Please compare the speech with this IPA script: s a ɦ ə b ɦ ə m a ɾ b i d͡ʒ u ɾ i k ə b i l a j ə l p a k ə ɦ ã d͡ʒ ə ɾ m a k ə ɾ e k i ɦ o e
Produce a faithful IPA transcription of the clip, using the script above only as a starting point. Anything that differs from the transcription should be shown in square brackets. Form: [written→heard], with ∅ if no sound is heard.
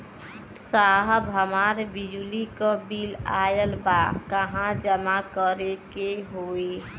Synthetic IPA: s a ɦ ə b ɦ ə m a ɾ b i d͡ʒ u [ɾ→l] i k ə b i l a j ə l [p→b] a k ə ɦ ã d͡ʒ ə [ɾ→∅] m a k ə ɾ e k [i→e] ɦ o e